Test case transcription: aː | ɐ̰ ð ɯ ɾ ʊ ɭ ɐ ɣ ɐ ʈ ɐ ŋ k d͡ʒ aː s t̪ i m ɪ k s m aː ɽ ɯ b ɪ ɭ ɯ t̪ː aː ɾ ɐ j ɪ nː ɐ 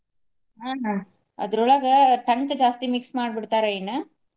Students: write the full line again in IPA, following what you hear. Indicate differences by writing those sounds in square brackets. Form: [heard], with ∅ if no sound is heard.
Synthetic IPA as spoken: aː | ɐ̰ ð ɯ ɾ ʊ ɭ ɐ ɣ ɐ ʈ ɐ ŋ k d͡ʒ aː s t̪ i m ɪ k s m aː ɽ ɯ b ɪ [ɽ] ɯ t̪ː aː ɾ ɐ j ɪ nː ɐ

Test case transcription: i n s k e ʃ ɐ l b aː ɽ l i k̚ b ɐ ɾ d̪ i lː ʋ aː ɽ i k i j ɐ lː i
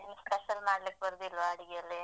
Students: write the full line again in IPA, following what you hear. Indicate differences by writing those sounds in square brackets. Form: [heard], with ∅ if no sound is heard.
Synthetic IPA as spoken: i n s [p] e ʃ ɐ l [m] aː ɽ l i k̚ b ɐ ɾ d̪ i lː ʋ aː ɽ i [ɡ] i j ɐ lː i

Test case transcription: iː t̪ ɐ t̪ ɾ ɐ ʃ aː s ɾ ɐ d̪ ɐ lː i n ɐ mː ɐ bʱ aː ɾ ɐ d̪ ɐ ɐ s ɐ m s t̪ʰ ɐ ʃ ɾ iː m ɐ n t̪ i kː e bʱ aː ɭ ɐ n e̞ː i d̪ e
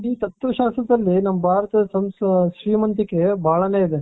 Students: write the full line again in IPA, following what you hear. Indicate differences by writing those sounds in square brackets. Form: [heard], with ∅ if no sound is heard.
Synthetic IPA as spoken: iː t̪ ɐ t̪ ɾ ɐ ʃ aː s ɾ ɐ d̪ ɐ lː i n ɐ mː ɐ bʱ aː ɾ ɐ [t̪] ɐ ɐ s ɐ m s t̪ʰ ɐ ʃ ɾ iː m ɐ n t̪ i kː e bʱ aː ɭ ɐ n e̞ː i d̪ e

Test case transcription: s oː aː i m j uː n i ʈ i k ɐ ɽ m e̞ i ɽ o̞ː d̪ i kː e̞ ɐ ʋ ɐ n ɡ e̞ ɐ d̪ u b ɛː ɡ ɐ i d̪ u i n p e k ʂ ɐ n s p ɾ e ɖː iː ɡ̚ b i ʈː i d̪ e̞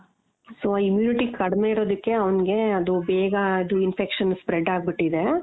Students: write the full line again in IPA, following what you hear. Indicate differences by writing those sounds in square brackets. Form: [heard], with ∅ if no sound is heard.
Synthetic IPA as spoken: s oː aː i m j uː n i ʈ i k ɐ ɽ m e̞ i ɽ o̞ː d̪ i kː e̞ ɐ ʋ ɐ n ɡ e̞ ɐ d̪ u b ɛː ɡ ɐ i d̪ u i n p e k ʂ ɐ n s p ɾ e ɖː [aː] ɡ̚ b i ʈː i d̪ e̞

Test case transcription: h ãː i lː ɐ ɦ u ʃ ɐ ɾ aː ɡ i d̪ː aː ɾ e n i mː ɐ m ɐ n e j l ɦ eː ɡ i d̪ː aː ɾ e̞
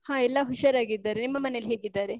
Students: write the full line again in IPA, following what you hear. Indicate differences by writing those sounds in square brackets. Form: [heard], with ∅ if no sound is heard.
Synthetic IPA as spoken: h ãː [ɛ] lː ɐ ɦ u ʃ ɐ ɾ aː ɡ i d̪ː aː ɾ e n i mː ɐ m ɐ n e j l ɦ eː ɡ i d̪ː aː ɾ e̞

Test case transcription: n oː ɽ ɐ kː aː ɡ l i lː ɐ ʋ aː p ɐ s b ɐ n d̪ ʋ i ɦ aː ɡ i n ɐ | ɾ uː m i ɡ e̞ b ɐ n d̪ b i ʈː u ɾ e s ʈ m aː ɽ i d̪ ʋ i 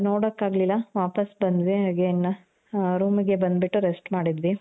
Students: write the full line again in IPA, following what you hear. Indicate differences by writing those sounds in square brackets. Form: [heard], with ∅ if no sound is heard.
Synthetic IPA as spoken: n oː ɽ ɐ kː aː ɡ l i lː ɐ ʋ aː p ɐ s b ɐ n d̪ ʋ i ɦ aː ɡ [e] n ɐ | ɾ uː m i ɡ e̞ b ɐ n d̪ b i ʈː u ɾ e s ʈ m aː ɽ i d̪ ʋ i

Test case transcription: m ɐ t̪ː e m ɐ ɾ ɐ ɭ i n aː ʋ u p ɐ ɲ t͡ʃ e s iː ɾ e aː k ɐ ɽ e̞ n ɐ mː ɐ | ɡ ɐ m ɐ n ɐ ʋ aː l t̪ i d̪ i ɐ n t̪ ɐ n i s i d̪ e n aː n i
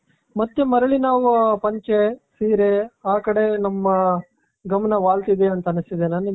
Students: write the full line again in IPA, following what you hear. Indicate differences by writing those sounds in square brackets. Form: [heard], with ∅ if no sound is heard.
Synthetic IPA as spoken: m ɐ t̪ː e m ɐ ɾ ɐ ɭ i n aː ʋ u p ɐ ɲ t͡ʃ e s iː ɾ e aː k ɐ ɽ e̞ n ɐ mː ɐ | ɡ ɐ m ɐ n ɐ ʋ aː l t̪ i d̪ [e] ɐ n t̪ ɐ n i s i d̪ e n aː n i

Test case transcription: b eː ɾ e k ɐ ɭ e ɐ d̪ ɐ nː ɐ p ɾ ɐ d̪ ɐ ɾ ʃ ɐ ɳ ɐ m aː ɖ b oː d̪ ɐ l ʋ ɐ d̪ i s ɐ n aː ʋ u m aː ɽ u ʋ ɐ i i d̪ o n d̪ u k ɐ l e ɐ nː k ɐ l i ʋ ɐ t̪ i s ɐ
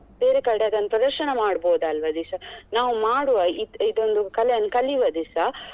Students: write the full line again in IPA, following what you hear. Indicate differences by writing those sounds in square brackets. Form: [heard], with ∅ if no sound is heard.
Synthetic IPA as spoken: b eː ɾ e k ɐ [ɽ] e ɐ d̪ ɐ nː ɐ p ɾ ɐ d̪ ɐ ɾ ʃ ɐ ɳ ɐ m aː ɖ b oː d̪ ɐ l ʋ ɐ d̪ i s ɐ n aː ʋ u m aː ɽ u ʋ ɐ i i d̪ o n d̪ u k ɐ l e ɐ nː k ɐ l i ʋ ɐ [d̪] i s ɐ

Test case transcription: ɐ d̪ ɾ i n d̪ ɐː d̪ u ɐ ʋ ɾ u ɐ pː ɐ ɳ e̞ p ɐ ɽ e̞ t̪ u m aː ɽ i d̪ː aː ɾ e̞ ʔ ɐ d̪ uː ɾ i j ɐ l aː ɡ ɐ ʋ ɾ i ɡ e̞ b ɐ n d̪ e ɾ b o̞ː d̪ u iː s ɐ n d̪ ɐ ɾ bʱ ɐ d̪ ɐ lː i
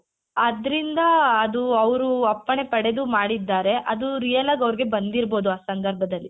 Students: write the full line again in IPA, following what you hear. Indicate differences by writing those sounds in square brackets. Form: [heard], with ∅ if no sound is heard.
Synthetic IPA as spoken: ɐ d̪ ɾ i n d̪ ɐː d̪ u ɐ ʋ ɾ u ɐ pː ɐ ɳ e̞ p ɐ ɽ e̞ [d̪] u m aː ɽ i d̪ː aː ɾ e̞ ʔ ɐ d̪ [u] ɾ i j ɐ l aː ɡ ɐ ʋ ɾ i ɡ e̞ b ɐ n d̪ [i] ɾ b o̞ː d̪ u [aː] s ɐ n d̪ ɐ ɾ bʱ ɐ d̪ ɐ lː i

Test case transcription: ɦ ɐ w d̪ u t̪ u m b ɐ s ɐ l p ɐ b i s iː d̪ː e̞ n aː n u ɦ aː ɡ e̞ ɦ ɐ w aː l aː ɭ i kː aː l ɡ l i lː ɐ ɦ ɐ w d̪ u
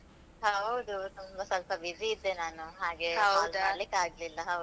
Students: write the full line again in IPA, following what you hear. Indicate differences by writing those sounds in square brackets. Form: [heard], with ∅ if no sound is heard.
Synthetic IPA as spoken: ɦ ɐ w d̪ u t̪ u m b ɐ s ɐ l p ɐ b i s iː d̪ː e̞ n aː n u ɦ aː ɡ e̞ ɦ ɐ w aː l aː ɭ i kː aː [∅] ɡ l i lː ɐ ɦ ɐ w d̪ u

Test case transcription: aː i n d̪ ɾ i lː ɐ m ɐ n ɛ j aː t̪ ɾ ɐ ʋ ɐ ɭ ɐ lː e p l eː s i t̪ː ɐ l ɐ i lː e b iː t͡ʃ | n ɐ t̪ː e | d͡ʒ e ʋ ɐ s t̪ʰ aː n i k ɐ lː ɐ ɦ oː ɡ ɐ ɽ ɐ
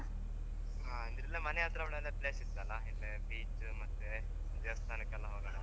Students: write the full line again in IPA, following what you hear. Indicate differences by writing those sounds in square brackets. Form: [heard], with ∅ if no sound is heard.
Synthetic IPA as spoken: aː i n d̪ ɾ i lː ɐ m ɐ n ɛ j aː t̪ ɾ ɐ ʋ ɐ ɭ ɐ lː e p l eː s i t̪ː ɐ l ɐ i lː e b iː t͡ʃ | [m] ɐ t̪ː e | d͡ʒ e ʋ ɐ s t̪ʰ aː n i k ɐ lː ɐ ɦ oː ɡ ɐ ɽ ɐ

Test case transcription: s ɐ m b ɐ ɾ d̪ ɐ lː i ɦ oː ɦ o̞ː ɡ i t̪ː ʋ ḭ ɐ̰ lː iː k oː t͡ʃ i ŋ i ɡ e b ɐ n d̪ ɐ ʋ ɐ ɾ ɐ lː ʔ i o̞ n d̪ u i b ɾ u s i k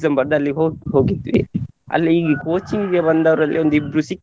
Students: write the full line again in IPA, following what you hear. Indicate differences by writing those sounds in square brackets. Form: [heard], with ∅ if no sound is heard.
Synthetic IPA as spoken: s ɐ m b ɐ ɾ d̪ ɐ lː i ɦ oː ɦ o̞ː ɡ i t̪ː ʋ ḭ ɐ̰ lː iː k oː t͡ʃ i ŋ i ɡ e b ɐ n d̪ ɐ ʋ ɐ ɾ ɐ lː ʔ i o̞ n d̪ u i b ɾ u s i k

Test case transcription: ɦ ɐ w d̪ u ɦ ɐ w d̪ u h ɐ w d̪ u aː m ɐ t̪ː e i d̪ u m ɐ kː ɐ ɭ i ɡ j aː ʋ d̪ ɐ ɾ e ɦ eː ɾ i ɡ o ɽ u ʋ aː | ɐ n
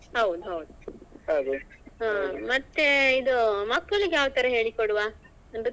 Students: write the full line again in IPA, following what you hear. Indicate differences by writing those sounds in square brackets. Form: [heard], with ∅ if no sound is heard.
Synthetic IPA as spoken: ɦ ɐ w d̪ u ɦ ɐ w d̪ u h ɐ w d̪ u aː m ɐ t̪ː e i d̪ u m ɐ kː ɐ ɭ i ɡ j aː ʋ [t̪] ɐ ɾ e ɦ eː [ɭ] i [k] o ɽ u ʋ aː | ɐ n

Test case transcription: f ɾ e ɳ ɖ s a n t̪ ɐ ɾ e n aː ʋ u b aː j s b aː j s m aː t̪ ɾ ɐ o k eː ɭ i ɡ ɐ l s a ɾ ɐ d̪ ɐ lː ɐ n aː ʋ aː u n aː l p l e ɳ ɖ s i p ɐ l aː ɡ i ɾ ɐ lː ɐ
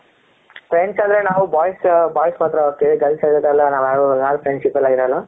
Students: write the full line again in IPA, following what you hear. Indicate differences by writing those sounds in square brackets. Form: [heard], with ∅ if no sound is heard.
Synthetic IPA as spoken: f ɾ e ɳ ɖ s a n [d̪] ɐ ɾ e n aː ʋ u b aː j s b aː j s m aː t̪ ɾ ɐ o k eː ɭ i ɡ ɐ l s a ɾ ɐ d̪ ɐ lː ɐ n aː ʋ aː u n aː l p [ɾ] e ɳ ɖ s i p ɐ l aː ɡ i ɾ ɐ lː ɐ

